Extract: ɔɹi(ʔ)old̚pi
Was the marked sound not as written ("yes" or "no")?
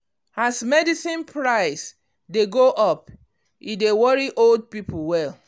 no